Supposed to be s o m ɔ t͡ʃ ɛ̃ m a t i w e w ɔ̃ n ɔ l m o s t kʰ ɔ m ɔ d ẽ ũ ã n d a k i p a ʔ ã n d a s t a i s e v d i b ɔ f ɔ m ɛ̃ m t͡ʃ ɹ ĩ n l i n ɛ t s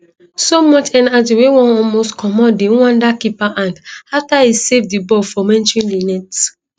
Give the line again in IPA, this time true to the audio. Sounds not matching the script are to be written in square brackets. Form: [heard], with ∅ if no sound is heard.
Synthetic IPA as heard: s o m ɔ t͡ʃ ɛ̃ [n] a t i w e w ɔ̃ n ɔ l m o s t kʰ ɔ m ɔ d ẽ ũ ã n d a k i p a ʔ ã n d a [f] t a i s e v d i b ɔ f ɔ m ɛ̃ [n] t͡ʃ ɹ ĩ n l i n ɛ t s